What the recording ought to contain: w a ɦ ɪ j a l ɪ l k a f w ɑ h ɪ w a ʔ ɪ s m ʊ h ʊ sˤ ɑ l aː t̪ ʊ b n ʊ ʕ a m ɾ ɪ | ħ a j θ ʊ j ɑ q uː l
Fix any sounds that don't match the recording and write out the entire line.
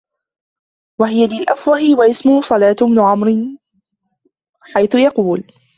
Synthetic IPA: w a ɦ ɪ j a l ɪ l ʔ a f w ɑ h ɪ w a ʔ ɪ s m ʊ h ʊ sˤ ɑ l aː t̪ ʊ b n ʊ ʕ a m ɾ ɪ | ħ a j θ ʊ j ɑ q uː l